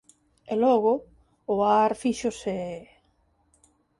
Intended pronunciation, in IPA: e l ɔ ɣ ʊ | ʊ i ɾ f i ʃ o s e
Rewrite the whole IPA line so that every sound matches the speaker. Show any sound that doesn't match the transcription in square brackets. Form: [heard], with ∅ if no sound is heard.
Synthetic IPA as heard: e l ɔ ɣ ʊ | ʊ [a] ɾ f i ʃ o s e